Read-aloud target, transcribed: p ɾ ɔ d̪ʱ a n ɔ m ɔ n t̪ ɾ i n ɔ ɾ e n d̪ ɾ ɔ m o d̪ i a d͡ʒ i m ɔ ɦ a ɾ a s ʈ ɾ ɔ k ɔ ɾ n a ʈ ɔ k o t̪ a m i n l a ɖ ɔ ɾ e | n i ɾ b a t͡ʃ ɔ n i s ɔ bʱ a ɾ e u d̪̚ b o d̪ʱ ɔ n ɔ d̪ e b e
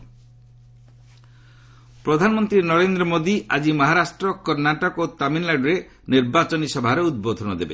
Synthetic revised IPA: p ɾ ɔ d̪ʱ a n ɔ m ɔ n t̪ ɾ i n ɔ ɾ e n d̪ ɾ ɔ m o d̪ i a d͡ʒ i m ɔ ɦ a ɾ a s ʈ ɾ ɔ k ɔ ɾ n a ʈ ɔ k o t̪ a m i n l a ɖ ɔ ɾ e | n i ɾ b a t͡ʃ ɔ n i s ɔ bʱ a ɾ e u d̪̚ b o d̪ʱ ɔ n ɔ d̪ e b e